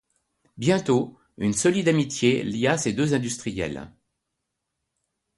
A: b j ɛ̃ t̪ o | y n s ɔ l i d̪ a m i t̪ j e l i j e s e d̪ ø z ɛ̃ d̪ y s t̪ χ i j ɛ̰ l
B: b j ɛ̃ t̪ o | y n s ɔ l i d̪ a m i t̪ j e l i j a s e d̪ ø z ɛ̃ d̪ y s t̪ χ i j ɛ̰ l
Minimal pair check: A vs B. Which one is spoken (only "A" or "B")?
B